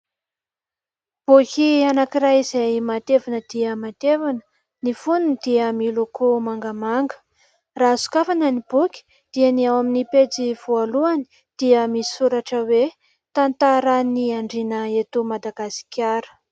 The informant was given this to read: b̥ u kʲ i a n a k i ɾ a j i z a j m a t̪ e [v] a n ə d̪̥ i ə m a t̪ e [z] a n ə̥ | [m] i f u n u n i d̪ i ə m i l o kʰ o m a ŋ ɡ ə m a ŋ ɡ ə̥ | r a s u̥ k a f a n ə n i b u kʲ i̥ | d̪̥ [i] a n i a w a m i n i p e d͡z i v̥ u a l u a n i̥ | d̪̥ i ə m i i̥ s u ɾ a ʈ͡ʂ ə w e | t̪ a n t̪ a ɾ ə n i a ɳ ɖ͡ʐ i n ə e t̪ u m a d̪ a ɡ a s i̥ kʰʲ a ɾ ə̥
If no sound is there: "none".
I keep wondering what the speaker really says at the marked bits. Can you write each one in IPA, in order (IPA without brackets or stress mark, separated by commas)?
v, v, n, i